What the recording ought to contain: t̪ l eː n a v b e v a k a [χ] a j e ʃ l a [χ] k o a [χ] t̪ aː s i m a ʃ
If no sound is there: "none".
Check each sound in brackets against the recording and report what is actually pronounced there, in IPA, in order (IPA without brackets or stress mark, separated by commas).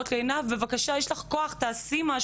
ʃ, χ, χ